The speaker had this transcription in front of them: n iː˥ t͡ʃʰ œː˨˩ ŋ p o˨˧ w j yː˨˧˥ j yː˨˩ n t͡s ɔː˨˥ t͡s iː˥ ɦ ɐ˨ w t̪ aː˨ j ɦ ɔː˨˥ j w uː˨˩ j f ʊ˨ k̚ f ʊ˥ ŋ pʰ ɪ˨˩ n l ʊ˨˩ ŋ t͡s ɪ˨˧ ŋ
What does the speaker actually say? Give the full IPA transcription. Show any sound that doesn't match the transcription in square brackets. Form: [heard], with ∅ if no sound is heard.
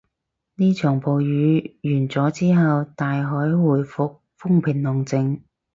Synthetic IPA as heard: n iː˥ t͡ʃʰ œː˨˩ ŋ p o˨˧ w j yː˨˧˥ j yː˨˩ n t͡s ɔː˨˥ t͡s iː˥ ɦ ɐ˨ w t̪ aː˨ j ɦ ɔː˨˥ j w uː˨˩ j f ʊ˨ k̚ f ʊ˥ ŋ pʰ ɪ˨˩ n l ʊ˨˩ ŋ t͡s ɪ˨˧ ŋ